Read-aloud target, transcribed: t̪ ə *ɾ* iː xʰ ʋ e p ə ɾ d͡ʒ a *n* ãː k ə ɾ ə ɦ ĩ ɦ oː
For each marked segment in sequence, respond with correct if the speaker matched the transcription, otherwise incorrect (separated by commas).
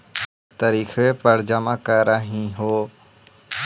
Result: correct, incorrect